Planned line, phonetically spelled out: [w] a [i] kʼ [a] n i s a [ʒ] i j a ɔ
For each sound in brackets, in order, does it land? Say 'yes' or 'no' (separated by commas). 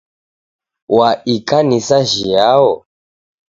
yes, yes, yes, yes